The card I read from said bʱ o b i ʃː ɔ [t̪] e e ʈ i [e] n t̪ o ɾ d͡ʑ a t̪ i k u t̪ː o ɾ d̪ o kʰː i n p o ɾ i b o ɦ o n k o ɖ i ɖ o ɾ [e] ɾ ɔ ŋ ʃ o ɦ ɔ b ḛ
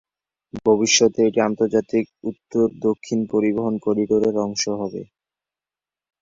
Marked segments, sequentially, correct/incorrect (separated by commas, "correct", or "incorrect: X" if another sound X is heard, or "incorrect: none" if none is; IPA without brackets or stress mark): correct, incorrect: a, correct